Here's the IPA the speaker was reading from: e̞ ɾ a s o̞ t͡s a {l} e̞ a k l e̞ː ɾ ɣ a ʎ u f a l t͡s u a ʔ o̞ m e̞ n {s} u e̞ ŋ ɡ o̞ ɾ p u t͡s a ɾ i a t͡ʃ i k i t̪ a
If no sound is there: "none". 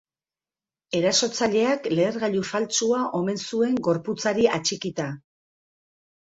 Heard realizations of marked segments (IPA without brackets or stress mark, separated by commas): ʎ, s